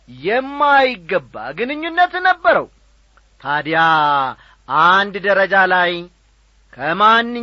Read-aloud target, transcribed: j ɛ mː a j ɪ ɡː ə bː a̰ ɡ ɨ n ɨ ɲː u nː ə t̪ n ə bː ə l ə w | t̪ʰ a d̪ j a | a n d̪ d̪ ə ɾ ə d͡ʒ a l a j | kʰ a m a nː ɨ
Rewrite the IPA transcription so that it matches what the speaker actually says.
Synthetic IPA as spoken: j ɛ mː a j ɪ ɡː ə bː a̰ ɡ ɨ n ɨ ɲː u nː ə t̪ n ə bː ə ɾ ə w | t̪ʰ a d̪ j a | a n d̪ d̪ ə ɾ ə d͡ʒ a l a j | kʰ ə m a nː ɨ